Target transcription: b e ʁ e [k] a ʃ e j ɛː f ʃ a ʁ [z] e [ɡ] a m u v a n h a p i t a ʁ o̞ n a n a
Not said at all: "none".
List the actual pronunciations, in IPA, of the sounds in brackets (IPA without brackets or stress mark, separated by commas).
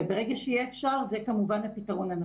ɡ, z, k